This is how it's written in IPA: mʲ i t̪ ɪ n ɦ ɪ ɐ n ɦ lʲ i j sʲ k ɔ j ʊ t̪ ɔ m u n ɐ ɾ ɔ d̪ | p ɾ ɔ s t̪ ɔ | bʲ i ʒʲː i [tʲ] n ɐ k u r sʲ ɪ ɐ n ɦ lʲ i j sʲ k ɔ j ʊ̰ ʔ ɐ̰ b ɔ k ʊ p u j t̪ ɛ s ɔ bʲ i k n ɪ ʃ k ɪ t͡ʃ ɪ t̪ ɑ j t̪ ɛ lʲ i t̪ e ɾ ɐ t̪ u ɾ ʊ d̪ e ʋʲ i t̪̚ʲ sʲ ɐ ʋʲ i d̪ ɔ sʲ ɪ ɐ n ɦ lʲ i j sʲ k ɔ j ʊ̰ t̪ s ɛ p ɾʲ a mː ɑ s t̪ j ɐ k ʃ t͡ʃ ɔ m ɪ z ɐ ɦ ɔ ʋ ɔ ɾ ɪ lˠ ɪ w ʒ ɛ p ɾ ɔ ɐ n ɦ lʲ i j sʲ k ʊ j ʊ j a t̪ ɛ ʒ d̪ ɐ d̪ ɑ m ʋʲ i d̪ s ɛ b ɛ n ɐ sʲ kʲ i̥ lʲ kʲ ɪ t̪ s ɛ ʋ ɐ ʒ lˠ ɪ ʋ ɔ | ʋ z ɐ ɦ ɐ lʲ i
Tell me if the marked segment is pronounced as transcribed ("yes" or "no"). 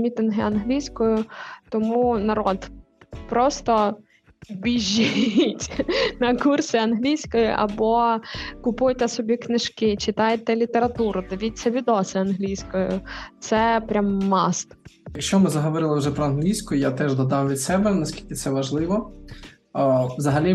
yes